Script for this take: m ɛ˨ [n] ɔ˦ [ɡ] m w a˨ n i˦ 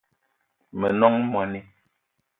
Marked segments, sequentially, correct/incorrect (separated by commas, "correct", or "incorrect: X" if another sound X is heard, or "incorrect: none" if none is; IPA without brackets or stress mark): correct, incorrect: ŋ